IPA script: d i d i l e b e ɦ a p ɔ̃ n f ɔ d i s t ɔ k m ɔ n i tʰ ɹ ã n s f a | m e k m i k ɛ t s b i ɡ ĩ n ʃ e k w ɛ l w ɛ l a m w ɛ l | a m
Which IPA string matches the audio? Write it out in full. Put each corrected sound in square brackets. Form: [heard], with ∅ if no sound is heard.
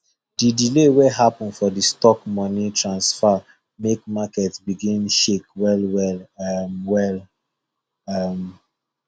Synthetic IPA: d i d i l e [w] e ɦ a p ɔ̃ n f ɔ d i s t ɔ k m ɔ n i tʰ ɹ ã n s f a | m e k m [a] k ɛ t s b i ɡ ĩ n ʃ e k w ɛ l w ɛ l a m w ɛ l | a m